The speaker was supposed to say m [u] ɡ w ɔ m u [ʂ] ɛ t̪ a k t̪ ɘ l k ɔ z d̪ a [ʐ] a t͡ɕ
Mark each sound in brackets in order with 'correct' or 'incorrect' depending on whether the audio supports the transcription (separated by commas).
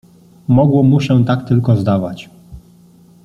incorrect, incorrect, incorrect